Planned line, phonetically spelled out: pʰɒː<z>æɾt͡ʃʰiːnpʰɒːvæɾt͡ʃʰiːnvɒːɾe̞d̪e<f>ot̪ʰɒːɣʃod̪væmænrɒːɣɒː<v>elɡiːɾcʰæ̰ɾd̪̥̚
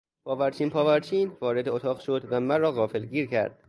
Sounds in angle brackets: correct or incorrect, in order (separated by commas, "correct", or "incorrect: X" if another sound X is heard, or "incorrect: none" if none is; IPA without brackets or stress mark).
incorrect: v, incorrect: none, incorrect: f